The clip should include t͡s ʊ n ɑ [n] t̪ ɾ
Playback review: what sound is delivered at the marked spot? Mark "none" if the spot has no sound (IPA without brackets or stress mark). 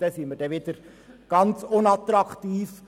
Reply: none